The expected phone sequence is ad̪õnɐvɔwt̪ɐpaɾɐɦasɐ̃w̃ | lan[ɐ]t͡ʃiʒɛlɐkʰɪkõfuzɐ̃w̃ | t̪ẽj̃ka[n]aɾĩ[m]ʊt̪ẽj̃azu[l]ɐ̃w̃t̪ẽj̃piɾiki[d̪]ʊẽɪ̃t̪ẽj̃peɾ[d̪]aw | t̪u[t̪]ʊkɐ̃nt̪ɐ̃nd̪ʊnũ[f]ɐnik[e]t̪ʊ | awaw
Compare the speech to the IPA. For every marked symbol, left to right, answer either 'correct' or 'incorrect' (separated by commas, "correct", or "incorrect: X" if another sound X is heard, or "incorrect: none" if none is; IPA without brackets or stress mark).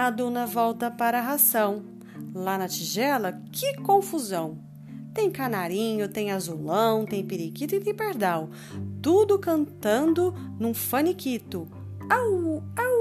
correct, correct, incorrect: ɲ, correct, incorrect: t̪, correct, incorrect: d̪, correct, incorrect: i